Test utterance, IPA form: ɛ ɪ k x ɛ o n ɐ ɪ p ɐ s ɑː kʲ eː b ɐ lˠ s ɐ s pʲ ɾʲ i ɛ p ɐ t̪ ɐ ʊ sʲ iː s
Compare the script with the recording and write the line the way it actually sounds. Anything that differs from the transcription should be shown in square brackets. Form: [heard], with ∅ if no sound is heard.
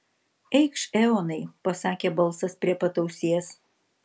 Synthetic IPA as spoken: ɛ ɪ k [ʃ] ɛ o n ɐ ɪ p ɐ s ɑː kʲ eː b ɐ lˠ s ɐ s pʲ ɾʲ i ɛ p ɐ t̪ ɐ ʊ sʲ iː s